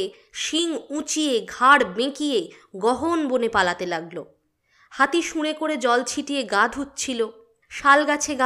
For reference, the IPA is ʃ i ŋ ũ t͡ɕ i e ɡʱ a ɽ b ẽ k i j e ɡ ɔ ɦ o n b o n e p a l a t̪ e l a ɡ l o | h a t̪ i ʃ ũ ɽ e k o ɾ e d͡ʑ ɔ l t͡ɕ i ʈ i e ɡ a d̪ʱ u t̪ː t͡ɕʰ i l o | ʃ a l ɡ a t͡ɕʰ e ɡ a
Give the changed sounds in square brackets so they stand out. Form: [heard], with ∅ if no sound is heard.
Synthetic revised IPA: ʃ i ŋ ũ t͡ɕ i e ɡʱ a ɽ b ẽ k i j e ɡ ɔ ɦ o n b o n e p a l a t̪ e l a ɡ l o | h a t̪ i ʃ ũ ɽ e k o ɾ e d͡ʑ ɔ l [t͡ɕʰ] i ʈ i e ɡ a d̪ʱ u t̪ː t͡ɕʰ i l o | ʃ a l ɡ a t͡ɕʰ e ɡ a